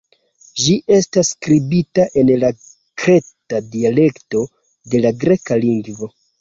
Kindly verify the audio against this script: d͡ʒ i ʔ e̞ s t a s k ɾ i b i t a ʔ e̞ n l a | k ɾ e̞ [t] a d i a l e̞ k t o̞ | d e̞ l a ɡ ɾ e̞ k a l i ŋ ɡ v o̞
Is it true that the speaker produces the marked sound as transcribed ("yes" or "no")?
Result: yes